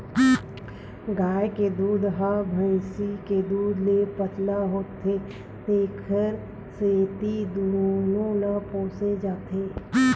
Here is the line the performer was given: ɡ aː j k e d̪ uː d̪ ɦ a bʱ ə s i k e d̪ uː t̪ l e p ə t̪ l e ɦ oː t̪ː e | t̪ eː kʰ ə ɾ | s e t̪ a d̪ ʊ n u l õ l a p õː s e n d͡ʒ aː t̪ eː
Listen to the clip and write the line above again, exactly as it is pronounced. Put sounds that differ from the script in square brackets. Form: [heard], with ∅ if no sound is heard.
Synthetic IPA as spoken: ɡ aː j k e d̪ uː d̪ ɦ a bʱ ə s i k e d̪ uː [d̪] l e p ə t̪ l [a] ɦ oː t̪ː e | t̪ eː kʰ ə ɾ | s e t̪ [i] d̪ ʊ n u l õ l a p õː s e [∅] d͡ʒ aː t̪ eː